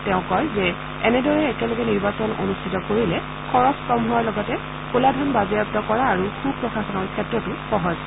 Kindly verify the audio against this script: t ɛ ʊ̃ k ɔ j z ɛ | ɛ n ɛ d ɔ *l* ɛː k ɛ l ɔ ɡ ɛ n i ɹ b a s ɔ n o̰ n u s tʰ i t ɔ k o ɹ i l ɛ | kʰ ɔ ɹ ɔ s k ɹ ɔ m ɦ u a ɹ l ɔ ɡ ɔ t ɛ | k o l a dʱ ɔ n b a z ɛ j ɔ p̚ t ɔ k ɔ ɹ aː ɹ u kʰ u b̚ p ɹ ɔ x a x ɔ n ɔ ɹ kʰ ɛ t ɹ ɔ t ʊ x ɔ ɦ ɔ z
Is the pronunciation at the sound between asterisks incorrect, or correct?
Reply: incorrect